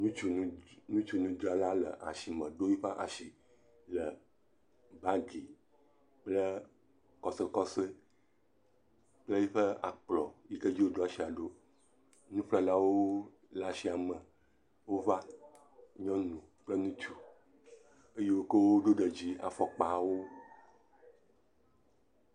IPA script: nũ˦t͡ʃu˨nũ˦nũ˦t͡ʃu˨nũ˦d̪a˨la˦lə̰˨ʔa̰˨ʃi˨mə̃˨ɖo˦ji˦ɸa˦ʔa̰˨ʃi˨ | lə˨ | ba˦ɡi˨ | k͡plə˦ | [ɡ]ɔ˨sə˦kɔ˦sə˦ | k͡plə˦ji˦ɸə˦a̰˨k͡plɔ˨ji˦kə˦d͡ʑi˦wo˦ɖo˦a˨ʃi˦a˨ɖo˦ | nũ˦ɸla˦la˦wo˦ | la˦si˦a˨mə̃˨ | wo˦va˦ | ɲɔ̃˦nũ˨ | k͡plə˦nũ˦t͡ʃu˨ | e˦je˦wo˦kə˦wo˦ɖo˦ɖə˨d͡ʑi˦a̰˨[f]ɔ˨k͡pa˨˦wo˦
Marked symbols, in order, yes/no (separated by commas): no, yes